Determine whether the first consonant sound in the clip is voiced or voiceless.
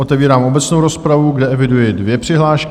voiceless